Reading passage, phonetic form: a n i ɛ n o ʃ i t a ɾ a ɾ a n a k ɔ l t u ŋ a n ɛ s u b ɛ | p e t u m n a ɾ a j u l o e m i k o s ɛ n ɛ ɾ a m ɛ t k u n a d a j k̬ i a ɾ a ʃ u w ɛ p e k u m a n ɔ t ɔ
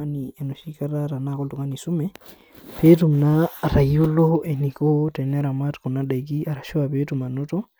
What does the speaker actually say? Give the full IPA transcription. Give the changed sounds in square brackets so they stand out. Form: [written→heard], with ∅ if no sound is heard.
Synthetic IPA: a n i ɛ n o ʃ i [t→k] a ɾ a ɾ a n a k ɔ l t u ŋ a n [ɛ→i] s u [b→m] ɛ | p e t u m n a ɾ a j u l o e [m→n] i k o [s→t] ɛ n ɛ ɾ a m [ɛ→a] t k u n a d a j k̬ i a ɾ a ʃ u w [ɛ→a] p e [k→t] u m a n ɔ t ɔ